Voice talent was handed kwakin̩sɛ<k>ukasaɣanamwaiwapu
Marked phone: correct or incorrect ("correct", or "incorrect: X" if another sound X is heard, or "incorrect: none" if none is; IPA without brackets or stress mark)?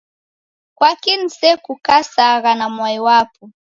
correct